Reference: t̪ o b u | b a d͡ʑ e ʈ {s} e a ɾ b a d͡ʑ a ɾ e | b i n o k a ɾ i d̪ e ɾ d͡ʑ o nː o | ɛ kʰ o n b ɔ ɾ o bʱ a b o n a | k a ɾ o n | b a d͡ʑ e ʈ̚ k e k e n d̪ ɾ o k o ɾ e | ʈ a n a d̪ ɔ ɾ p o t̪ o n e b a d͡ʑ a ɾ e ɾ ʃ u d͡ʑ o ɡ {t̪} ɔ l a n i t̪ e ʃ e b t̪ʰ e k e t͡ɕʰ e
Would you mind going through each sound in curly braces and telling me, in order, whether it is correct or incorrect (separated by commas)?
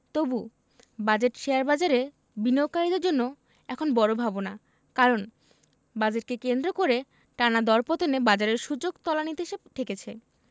incorrect, correct